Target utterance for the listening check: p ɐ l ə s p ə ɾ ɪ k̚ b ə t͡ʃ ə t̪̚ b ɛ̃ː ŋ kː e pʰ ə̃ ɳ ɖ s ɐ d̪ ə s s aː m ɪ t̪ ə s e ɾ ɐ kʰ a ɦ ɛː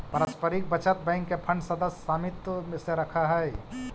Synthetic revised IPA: p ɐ ɾ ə s p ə ɾ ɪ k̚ b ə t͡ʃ ə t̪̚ b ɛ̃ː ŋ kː e pʰ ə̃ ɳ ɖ s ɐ d̪ ə s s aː m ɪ t̪ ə s e ɾ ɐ kʰ a ɦ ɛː